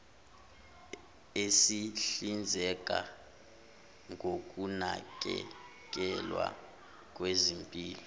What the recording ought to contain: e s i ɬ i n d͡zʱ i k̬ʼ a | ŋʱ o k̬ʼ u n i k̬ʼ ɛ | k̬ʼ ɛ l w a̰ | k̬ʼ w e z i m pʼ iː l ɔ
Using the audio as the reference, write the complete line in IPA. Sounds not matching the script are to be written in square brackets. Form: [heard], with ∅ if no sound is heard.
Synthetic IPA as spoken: e s i ɬ i n d͡zʱ [ɛ] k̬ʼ a | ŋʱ o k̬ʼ u n [a] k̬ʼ ɛ | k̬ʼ ɛ l w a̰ | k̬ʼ w e z i m pʼ iː l ɔ